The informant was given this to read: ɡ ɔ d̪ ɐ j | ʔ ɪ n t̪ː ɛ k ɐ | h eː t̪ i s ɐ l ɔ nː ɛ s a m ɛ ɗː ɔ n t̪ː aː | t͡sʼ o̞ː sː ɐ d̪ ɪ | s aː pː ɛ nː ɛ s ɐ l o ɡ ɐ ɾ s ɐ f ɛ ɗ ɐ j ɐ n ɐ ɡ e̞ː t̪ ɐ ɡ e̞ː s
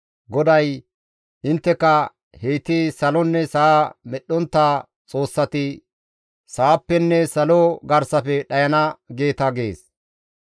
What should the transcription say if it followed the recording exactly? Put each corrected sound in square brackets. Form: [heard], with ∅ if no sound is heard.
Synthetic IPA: ɡ ɔ d̪ ɐ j | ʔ ɪ n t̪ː ɛ k ɐ | h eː t̪ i s ɐ l ɔ nː ɛ s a m ɛ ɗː ɔ n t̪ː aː | t͡sʼ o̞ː sː ɐ [t̪] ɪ | s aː pː ɛ nː ɛ s ɐ l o ɡ ɐ ɾ s ɐ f ɛ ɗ ɐ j ɐ n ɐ ɡ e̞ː t̪ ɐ ɡ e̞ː s